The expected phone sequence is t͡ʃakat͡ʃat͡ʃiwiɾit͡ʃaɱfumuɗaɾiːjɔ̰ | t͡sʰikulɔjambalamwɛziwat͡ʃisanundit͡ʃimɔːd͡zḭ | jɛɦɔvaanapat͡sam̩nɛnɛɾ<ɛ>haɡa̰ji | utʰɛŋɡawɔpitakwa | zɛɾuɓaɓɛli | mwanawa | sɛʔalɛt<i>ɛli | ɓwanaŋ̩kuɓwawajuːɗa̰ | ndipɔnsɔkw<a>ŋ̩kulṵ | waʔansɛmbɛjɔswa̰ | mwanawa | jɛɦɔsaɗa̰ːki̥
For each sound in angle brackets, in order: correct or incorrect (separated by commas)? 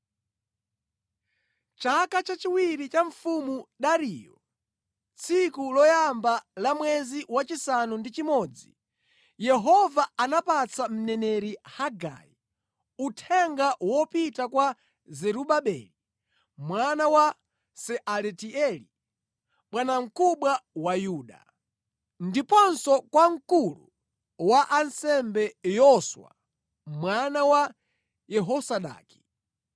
incorrect, correct, correct